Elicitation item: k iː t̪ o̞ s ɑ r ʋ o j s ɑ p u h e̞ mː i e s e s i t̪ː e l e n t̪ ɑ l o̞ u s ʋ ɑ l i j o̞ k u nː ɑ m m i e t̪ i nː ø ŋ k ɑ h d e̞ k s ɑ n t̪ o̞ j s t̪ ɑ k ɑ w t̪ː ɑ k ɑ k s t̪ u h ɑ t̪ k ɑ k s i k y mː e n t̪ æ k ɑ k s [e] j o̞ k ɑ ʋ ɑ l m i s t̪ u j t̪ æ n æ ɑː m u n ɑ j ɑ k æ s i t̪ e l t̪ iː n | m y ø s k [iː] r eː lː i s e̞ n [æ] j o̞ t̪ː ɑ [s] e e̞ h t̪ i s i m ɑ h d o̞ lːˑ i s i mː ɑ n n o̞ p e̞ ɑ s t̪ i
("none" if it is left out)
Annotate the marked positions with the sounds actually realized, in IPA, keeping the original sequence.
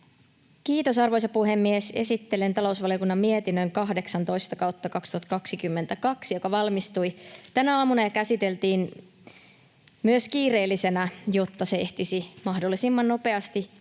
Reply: i, iː, æ, s

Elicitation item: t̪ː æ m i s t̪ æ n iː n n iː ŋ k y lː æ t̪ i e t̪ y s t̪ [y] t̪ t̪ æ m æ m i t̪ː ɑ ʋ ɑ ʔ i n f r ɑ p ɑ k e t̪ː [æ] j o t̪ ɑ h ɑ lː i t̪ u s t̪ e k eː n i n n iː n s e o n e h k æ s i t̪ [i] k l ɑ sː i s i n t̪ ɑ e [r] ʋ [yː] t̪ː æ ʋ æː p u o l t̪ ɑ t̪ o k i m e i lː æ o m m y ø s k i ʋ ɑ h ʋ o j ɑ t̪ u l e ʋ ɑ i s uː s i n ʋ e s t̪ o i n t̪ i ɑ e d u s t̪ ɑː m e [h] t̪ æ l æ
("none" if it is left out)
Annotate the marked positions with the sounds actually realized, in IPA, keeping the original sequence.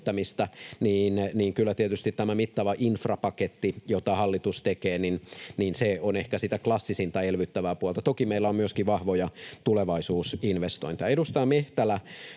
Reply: i, i, æ, l, y, h

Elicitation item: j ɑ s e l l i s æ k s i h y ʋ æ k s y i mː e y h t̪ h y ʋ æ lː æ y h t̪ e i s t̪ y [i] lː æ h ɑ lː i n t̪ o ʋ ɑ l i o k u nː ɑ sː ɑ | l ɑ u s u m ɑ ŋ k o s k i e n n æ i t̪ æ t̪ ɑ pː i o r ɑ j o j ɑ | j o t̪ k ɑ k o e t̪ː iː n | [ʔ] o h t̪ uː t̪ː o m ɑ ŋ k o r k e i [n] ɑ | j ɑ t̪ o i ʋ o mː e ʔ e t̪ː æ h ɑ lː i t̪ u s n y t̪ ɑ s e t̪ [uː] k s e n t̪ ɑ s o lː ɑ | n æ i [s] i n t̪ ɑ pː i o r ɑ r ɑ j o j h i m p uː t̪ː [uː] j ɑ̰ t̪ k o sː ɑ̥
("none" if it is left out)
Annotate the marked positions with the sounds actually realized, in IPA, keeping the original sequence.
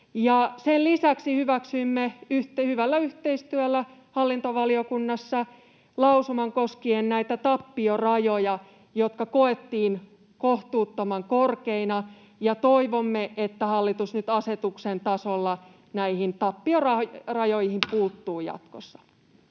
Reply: æ, k, n, u, h, uː

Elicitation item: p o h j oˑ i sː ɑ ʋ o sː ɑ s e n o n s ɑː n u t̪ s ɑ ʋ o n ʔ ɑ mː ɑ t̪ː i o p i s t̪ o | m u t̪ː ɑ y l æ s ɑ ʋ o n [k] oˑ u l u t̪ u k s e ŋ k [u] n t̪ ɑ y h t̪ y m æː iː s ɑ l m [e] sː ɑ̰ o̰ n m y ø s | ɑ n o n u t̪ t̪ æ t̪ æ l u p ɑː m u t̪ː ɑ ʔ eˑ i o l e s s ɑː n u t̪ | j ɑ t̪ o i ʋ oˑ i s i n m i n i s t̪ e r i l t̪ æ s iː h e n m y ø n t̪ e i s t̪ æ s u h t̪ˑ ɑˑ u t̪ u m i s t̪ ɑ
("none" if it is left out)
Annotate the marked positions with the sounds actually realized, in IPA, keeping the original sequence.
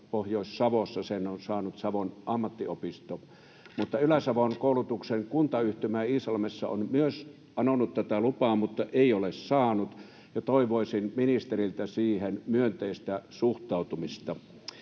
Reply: k, u, e

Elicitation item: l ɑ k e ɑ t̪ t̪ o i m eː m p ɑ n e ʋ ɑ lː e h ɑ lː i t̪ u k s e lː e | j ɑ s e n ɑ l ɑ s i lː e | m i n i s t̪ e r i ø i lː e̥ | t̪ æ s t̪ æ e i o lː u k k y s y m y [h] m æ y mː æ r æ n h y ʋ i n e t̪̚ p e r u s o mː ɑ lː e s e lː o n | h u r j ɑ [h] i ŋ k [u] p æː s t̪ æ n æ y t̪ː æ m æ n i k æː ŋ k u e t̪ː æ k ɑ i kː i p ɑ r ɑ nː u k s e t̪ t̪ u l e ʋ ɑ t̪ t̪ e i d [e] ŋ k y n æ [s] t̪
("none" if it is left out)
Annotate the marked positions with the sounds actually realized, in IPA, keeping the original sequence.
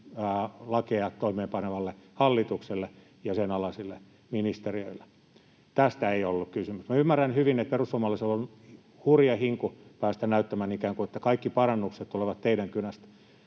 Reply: s, h, u, æ, s

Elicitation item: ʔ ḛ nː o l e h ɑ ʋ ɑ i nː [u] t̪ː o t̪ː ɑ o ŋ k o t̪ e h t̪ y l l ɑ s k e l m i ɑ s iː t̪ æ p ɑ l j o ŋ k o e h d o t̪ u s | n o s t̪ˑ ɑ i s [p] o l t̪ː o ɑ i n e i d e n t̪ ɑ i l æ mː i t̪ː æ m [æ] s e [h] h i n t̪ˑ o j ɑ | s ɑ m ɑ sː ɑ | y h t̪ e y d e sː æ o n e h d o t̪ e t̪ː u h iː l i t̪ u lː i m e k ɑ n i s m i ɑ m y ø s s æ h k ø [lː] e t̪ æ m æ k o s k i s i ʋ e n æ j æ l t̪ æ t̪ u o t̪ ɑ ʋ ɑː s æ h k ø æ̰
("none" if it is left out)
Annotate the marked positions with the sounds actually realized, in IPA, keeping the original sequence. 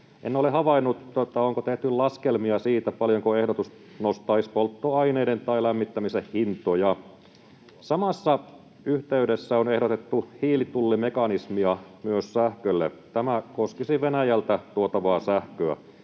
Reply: u, p, i, h, lː

